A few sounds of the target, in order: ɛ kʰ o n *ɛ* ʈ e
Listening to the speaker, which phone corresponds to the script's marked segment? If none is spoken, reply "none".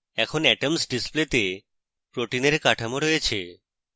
ɛ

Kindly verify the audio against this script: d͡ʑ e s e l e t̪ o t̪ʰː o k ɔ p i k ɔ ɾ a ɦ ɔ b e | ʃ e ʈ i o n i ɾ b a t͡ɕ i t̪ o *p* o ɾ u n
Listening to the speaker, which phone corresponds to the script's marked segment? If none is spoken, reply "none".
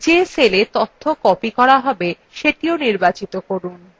k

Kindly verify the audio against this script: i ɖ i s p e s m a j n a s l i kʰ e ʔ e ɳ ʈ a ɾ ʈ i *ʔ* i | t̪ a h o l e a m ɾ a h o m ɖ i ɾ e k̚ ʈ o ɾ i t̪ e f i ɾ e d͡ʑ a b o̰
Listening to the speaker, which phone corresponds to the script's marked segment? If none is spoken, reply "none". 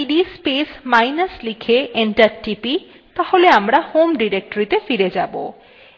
p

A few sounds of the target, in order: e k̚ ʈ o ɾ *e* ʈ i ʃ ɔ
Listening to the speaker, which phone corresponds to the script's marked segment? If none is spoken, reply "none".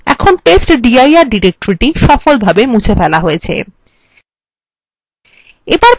i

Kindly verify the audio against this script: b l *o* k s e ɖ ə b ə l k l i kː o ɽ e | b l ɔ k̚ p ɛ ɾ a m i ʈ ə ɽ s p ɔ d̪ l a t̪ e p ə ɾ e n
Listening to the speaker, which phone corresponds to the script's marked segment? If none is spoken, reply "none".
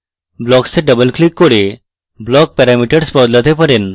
ɔ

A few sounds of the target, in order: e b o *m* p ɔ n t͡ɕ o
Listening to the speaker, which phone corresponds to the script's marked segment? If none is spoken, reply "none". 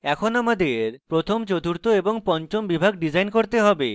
ŋ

